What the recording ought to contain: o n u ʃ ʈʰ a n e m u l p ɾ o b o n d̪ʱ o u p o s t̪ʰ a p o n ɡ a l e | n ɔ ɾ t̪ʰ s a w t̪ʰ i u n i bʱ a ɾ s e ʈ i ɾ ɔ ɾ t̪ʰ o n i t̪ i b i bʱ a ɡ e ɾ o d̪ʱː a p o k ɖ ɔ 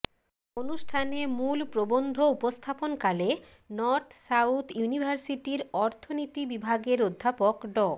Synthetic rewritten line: o n u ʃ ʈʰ a n e m u l p ɾ o b o n d̪ʱ o u p o s t̪ʰ a p o n k a l e | n ɔ ɾ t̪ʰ s a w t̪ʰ j u n i bʱ a ɾ s i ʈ i ɾ ɔ ɾ t̪ʰ o n i t̪ i b i bʱ a ɡ e ɾ o d̪ʱː a p o k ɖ ɔ

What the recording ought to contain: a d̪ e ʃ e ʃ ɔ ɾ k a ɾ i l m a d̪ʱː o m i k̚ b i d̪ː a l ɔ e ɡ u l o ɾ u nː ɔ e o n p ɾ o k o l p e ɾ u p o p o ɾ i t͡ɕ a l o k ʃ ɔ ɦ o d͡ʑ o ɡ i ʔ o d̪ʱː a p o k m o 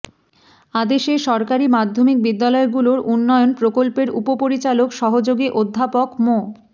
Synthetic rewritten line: a d̪ e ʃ e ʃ ɔ ɾ k a ɾ i m a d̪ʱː o m i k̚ b i d̪ː a l ɔ e ɡ u l o ɾ u nː ɔ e o n p ɾ o k o l p e ɾ u p o p o ɾ i t͡ɕ a l o k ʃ ɔ ɦ o d͡ʑ o ɡ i ʔ o d̪ʱː a p o k m o

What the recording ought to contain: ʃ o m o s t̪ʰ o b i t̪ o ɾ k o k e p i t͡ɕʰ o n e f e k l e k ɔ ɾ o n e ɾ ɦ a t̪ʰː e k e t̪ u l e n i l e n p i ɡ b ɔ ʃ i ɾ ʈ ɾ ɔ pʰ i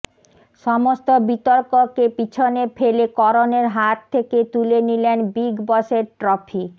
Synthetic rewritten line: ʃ ɔ m o s t̪ o b i t̪ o ɾ k o k e p i t͡ɕʰ o n e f e l e k ɔ ɾ o n e ɾ ɦ a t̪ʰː e k e t̪ u l e n i l e n b i ɡ b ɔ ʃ e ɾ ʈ ɾ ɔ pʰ i

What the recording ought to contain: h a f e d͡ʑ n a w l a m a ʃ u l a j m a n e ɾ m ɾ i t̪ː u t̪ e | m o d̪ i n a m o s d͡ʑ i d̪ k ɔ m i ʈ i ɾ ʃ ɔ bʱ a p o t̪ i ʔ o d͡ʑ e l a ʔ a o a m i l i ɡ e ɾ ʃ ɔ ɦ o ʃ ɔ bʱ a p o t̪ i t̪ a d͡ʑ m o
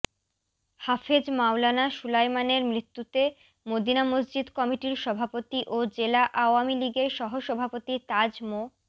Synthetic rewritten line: h a f e d͡ʑ m a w l a n a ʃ u l a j m a n e ɾ m ɾ i t̪ː u t̪ e | m o d̪ i n a m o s d͡ʑ i d̪ k ɔ m i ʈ i ɾ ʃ ɔ bʱ a p o t̪ i ʔ o d͡ʑ e l a ʔ a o a m i l i ɡ e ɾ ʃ ɔ ɦ o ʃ ɔ bʱ a p o t̪ i t̪ a d͡ʑ m o

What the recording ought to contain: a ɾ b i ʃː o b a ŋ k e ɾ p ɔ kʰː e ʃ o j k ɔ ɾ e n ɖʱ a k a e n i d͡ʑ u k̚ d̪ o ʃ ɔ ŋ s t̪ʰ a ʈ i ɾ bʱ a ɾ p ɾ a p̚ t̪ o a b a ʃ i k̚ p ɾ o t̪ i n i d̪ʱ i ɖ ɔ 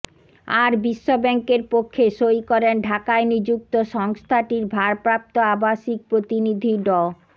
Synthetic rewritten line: a ɾ b i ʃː o b ɛ ŋ k e ɾ p o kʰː e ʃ o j k ɔ ɾ e n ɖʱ a k a e n i d͡ʑ u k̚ t̪ o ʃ ɔ ŋ s t̪ʰ a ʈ i ɾ bʱ a ɾ p ɾ a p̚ t̪ o a b a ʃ i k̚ p ɾ o t̪ i n i d̪ʱ i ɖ ɔ

